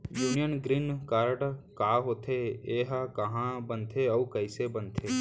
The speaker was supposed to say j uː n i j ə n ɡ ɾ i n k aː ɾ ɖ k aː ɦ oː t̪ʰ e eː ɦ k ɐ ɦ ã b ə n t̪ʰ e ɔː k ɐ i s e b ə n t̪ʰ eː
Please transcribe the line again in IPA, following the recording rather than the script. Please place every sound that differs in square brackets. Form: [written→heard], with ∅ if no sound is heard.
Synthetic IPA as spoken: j uː n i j ə n ɡ ɾ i n k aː ɾ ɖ k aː ɦ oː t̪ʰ e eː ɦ k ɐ ɦ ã b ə n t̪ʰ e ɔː k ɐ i s e b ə n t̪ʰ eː

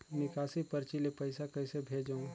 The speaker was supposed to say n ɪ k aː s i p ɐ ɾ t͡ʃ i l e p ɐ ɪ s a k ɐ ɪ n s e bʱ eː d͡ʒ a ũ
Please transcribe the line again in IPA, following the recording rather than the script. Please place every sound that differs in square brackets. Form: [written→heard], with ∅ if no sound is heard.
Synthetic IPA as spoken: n ɪ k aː s i p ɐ ɾ t͡ʃ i l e p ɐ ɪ s a k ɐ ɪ [n→∅] s e bʱ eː d͡ʒ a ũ

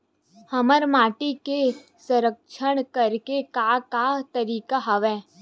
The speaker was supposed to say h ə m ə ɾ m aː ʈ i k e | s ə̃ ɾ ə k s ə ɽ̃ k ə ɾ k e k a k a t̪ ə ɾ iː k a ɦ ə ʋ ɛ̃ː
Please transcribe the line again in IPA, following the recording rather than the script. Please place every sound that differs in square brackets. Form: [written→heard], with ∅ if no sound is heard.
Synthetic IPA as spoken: h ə m ə ɾ m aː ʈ i k e | s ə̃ ɾ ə k [s→ʃ] ə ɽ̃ k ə ɾ k e k a k a t̪ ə ɾ iː k a ɦ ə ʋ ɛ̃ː

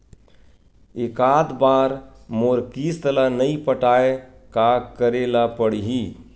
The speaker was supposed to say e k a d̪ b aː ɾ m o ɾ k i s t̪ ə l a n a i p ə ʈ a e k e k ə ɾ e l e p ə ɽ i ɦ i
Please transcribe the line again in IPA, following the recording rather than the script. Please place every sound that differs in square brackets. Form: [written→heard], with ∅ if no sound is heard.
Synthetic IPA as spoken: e k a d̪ b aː ɾ m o ɾ k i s t̪ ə l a n [a→ə] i p ə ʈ a e k [e→a] k ə ɾ e l [e→a] p ə ɽ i ɦ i

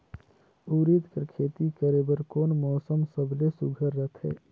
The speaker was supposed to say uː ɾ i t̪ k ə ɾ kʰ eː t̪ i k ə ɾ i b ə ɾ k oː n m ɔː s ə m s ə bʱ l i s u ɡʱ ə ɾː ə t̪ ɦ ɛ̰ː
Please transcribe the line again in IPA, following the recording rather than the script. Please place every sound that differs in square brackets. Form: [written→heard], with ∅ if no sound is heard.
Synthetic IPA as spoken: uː ɾ i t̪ k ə ɾ kʰ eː t̪ i k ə ɾ [i→e] b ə ɾ k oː n m ɔː s ə m s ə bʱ l [i→e] s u ɡʱ ə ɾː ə t̪ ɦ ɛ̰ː

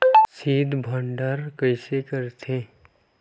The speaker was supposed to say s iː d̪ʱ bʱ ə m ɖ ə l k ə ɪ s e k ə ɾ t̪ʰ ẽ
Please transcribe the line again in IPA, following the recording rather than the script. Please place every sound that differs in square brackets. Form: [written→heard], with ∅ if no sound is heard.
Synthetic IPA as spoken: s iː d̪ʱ bʱ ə [m→ɳ] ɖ ə [l→ɾ] k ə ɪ s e k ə ɾ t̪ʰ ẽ

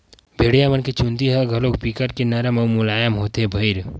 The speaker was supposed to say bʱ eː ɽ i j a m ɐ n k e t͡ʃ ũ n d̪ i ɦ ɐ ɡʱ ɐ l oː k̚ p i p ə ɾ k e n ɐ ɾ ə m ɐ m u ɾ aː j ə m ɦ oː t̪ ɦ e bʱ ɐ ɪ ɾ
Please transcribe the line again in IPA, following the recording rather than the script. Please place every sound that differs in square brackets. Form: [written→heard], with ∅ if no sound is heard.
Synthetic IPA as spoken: bʱ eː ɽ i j a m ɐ n k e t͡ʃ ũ n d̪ i ɦ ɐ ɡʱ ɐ l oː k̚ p i [p→k] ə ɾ k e n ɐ ɾ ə m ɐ m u [ɾ→l] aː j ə m ɦ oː t̪ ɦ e bʱ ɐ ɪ ɾ

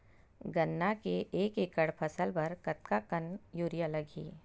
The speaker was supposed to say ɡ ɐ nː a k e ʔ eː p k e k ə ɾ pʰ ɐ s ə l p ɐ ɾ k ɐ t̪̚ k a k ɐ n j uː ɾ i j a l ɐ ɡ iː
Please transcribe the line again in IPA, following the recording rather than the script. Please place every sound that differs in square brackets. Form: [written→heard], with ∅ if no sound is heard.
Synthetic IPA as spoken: ɡ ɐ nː a k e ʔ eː [p→∅] k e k ə [ɾ→ɽ] pʰ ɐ s ə l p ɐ ɾ k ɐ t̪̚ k a k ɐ n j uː ɾ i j a l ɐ ɡ iː

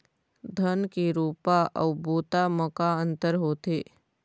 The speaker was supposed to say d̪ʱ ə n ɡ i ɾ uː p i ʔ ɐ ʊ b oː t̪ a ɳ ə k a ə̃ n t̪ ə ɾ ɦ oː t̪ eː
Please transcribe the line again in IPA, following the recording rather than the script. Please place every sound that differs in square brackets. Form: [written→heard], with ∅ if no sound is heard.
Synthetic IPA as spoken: d̪ʱ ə n [ɡ→k] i ɾ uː p [i→a] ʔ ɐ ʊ b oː t̪ a [ɳ→m] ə k a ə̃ n t̪ ə ɾ ɦ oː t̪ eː

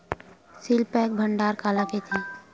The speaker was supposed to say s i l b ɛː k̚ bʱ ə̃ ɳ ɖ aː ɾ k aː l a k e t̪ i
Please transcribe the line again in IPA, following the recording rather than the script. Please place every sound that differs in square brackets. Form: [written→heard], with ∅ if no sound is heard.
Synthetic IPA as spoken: s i l [b→p] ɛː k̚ bʱ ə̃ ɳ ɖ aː ɾ k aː l a k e [t̪→t̪ʰ] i

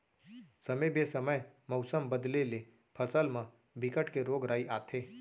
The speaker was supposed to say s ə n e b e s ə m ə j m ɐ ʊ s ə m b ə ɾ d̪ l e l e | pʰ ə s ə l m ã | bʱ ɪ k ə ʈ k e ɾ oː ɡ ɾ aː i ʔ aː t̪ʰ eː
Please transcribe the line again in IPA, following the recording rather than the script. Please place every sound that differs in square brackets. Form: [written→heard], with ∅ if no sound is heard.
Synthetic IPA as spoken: s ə [n→m] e b e s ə m ə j m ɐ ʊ s ə m b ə [ɾ→∅] d̪ l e l e | pʰ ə s ə l m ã | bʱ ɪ k ə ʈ k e ɾ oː ɡ ɾ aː i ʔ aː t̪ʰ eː

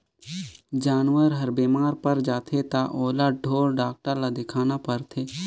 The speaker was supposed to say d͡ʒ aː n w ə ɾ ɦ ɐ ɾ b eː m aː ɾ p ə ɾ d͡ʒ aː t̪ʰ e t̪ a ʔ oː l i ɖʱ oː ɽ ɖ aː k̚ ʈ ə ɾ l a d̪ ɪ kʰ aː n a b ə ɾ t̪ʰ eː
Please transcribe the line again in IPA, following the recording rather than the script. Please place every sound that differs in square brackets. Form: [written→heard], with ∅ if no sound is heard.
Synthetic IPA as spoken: d͡ʒ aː n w ə ɾ ɦ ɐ ɾ b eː m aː ɾ p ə ɾ d͡ʒ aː t̪ʰ e t̪ a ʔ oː l [i→a] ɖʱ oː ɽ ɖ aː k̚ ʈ ə ɾ l a d̪ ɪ kʰ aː n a [b→p] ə ɾ t̪ʰ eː

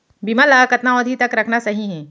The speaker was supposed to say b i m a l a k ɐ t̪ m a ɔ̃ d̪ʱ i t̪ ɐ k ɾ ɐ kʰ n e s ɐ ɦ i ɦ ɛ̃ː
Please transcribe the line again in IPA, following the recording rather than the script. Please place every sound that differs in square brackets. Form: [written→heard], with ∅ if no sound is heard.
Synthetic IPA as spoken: b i m a l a k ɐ t̪ [m→n] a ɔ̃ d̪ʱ i t̪ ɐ k ɾ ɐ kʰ n [e→a] s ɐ ɦ i ɦ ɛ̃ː

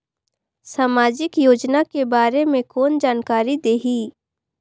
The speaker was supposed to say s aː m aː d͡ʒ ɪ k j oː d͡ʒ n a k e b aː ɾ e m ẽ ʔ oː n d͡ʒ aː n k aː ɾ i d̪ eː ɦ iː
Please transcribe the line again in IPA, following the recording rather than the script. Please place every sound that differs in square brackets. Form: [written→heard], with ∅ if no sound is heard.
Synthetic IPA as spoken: s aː m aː d͡ʒ ɪ k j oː d͡ʒ n a k e b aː ɾ e m ẽ [ʔ→k] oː n d͡ʒ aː n k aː ɾ i d̪ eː ɦ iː

